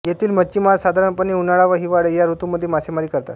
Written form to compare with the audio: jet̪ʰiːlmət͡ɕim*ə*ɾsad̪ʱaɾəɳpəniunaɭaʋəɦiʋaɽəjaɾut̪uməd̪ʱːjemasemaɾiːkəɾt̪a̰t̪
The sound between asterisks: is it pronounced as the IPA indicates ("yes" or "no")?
no